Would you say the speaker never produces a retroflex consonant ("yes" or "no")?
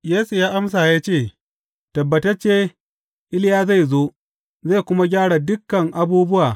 no